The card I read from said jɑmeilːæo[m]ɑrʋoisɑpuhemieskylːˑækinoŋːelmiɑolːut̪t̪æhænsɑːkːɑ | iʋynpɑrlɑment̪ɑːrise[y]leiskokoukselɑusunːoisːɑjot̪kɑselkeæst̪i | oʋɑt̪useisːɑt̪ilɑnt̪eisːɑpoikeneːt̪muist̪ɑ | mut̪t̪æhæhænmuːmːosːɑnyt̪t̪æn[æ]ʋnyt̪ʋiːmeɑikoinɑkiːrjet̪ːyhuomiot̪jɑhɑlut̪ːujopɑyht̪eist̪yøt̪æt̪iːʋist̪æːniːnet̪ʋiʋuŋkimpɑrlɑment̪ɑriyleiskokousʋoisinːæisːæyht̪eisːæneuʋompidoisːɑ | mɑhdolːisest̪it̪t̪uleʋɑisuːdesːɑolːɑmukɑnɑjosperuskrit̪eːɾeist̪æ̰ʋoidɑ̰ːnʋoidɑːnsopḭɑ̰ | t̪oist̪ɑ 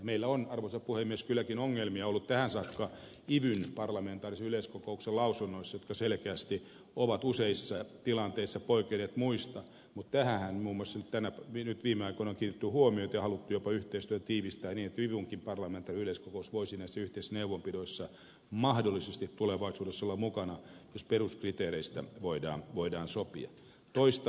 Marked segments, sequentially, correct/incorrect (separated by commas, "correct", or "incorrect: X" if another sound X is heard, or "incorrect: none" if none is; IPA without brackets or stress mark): incorrect: n, correct, correct